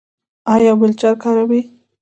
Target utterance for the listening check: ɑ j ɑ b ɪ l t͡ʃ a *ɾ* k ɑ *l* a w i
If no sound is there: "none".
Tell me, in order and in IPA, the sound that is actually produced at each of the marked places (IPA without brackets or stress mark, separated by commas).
ɾ, ɾ